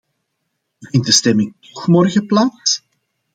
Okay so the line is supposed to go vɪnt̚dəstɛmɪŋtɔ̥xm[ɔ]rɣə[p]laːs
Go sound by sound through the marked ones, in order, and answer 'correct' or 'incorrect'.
correct, correct

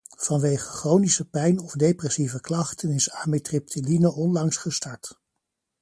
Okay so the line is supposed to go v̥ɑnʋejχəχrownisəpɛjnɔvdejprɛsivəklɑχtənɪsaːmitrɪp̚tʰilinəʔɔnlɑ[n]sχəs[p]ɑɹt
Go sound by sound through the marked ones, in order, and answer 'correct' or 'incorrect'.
incorrect: ŋ, incorrect: t

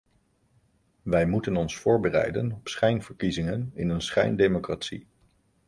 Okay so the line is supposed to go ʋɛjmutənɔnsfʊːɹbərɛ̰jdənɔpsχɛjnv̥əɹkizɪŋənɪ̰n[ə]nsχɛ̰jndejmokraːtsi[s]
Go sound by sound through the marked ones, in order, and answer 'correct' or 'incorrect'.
correct, incorrect: none

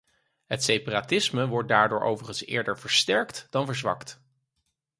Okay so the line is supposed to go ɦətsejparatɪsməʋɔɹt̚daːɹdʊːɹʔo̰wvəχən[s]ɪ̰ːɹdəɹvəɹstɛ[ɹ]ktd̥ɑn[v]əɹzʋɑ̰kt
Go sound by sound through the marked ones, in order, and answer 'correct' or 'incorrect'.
correct, correct, correct

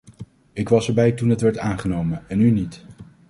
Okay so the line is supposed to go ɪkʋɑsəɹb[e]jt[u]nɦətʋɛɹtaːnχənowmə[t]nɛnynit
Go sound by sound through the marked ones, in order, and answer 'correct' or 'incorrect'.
incorrect: ɛ, correct, incorrect: none

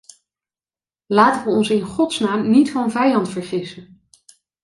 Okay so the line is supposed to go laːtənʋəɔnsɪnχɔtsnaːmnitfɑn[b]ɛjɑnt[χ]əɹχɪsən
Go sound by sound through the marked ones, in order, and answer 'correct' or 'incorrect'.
incorrect: v, incorrect: f

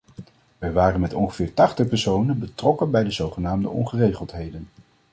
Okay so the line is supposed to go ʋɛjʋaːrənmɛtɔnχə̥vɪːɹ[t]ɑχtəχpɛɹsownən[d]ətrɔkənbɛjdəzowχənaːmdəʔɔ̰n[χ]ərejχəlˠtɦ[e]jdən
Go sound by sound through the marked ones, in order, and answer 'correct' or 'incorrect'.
correct, incorrect: b, correct, correct

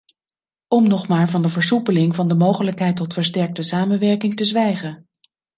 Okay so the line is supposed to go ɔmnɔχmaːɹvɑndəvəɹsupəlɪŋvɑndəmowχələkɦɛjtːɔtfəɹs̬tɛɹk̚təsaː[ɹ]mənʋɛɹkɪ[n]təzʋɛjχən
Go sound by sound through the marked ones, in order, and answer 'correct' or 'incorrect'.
incorrect: none, incorrect: ŋ

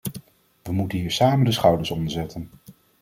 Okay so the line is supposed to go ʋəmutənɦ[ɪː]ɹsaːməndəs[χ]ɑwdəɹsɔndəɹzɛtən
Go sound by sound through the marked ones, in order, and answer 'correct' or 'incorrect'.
incorrect: iː, correct

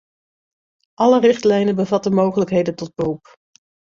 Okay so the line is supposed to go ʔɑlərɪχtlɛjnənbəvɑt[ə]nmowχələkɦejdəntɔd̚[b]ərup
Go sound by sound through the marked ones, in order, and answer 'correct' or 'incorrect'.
correct, correct

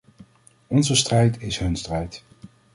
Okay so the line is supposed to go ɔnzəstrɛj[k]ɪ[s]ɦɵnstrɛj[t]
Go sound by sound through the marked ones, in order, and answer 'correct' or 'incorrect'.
incorrect: t, correct, correct

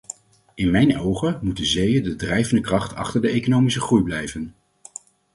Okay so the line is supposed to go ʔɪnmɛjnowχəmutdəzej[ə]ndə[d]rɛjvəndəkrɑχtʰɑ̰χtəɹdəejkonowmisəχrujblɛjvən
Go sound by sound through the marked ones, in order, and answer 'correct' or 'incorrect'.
correct, correct

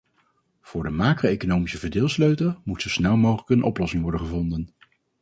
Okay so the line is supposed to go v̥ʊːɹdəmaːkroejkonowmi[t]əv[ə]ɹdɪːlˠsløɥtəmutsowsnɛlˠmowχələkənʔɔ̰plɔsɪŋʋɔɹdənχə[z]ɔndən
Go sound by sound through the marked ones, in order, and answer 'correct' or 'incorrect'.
incorrect: s, correct, incorrect: v

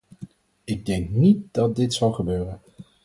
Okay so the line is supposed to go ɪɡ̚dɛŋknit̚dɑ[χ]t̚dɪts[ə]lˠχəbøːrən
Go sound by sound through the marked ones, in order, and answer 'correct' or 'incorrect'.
incorrect: none, incorrect: ɑ

